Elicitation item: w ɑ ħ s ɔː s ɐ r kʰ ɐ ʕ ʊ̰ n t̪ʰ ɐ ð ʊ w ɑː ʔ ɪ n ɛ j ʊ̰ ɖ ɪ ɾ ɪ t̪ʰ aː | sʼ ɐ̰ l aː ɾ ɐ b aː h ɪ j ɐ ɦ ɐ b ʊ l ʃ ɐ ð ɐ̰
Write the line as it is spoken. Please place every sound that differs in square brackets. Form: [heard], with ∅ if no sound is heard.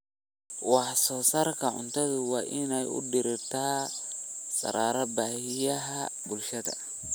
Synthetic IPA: w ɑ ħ s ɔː s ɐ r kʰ ɐ ʕ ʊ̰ n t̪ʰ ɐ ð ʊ w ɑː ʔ ɪ n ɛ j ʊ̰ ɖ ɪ ɾ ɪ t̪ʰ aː | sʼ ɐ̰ [ɾ] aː ɾ ɐ b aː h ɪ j ɐ ɦ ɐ b ʊ l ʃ ɐ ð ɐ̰